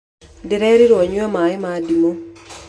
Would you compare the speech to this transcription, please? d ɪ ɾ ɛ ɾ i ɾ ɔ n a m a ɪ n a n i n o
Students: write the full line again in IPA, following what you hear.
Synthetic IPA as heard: d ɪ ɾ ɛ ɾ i ɾ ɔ ɲ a m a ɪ m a d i m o